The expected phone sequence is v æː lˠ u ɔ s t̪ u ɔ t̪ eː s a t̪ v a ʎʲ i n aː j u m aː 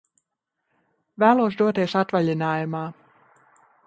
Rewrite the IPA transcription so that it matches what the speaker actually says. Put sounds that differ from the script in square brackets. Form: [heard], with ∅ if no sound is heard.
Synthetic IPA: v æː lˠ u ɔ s [d̪] u ɔ t̪ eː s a t̪ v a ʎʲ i n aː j u m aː